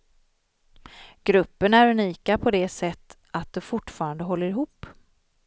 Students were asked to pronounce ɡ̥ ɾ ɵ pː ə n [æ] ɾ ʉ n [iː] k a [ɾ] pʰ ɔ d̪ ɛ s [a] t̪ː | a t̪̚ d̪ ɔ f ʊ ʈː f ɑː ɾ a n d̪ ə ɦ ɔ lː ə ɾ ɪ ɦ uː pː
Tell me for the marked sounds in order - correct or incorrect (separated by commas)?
correct, correct, incorrect, incorrect